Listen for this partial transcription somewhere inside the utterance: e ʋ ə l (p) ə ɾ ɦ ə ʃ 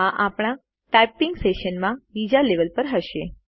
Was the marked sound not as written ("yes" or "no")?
no